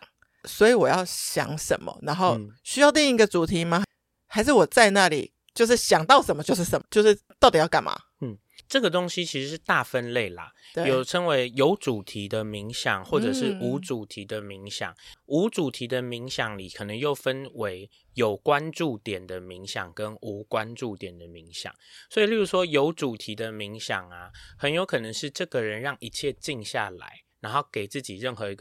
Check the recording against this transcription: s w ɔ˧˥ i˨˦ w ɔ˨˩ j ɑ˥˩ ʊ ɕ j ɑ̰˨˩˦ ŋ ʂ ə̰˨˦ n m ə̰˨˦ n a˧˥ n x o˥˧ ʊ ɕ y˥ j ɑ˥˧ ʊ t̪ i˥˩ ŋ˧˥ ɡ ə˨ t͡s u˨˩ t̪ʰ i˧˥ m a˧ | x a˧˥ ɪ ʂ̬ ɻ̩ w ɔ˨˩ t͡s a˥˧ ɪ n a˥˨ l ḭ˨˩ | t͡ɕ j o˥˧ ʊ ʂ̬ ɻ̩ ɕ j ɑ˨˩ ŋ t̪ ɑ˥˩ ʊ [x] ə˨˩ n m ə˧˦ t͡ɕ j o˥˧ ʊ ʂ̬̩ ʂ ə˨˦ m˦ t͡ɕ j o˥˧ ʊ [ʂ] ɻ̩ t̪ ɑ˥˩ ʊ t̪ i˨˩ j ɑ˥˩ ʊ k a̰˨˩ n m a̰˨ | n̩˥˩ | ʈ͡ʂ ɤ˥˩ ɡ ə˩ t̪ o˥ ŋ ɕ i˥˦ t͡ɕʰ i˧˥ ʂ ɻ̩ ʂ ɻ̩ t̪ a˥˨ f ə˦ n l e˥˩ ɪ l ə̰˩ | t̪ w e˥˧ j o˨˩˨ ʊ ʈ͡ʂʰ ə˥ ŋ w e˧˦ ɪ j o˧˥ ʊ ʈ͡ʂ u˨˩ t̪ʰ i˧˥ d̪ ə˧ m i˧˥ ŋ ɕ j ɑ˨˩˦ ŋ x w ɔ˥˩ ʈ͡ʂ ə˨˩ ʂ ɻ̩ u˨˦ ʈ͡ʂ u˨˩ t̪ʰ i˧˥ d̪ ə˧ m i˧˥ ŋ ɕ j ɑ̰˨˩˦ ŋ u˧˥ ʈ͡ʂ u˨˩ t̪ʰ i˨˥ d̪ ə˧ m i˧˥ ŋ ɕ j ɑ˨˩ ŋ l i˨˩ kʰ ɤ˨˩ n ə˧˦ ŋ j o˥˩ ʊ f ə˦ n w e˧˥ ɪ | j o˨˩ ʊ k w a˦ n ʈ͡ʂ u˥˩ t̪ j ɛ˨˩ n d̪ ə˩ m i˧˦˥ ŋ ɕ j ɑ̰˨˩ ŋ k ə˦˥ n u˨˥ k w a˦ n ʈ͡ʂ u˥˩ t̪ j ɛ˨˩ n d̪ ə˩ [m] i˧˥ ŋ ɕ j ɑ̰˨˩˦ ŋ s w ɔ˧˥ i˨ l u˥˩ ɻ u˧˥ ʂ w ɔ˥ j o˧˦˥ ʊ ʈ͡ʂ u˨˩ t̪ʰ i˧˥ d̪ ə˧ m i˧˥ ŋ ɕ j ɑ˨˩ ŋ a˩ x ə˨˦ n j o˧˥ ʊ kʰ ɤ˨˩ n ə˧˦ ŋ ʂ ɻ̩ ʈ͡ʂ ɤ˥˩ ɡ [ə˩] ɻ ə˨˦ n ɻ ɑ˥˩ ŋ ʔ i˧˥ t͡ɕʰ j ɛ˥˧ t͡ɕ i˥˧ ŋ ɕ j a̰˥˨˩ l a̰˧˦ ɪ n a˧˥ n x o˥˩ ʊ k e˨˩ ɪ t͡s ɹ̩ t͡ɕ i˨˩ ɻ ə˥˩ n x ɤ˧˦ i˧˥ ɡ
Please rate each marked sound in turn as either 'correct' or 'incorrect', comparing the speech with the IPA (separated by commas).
incorrect, correct, correct, correct